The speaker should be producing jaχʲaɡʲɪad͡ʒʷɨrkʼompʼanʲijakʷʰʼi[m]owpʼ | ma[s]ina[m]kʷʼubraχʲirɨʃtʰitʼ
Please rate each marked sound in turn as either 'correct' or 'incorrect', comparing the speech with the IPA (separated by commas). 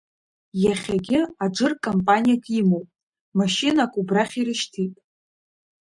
correct, incorrect, incorrect